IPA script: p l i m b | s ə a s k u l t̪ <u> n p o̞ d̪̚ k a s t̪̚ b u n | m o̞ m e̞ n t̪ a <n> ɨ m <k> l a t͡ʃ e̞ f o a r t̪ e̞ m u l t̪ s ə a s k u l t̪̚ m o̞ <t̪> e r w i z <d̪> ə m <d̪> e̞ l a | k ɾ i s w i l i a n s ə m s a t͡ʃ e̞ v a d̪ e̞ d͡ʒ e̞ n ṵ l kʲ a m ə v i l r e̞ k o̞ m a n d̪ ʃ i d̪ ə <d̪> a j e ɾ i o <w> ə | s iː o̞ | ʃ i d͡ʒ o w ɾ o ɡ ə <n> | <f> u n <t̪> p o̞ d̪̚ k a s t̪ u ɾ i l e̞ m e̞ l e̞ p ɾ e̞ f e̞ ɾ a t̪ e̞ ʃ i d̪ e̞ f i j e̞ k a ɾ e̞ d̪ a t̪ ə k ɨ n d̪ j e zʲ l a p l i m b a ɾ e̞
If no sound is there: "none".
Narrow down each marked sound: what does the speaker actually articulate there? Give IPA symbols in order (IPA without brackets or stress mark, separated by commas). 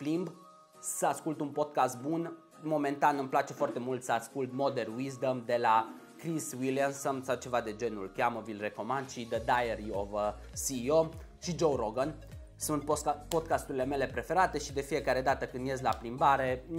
u, n, p, d̪, d̪, d̪, d̪, v, n, s, t̪